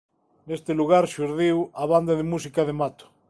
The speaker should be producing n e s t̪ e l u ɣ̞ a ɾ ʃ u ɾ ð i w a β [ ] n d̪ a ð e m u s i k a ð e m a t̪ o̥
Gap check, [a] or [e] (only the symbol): a